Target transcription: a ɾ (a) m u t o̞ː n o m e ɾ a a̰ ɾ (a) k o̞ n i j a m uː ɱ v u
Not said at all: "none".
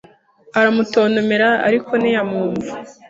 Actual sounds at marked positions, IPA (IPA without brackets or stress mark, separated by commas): a, i